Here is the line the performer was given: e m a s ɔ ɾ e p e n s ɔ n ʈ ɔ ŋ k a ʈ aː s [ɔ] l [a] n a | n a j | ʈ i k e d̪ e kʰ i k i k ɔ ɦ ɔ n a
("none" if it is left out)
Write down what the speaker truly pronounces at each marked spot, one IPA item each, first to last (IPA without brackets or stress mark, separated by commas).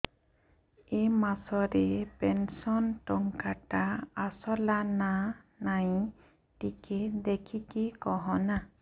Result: ɔ, a